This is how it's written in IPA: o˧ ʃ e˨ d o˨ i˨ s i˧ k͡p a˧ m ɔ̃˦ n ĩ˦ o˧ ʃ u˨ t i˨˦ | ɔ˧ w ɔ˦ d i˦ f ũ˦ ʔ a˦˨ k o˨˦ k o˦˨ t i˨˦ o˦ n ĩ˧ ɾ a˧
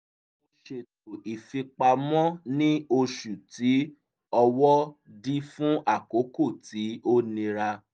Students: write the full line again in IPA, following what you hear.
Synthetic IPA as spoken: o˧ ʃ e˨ t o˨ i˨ f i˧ k͡p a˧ m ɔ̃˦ n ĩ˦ o˧ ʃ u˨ t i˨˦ | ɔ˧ w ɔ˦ d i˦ f ũ˦ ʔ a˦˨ k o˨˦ k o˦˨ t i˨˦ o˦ n ĩ˧ ɾ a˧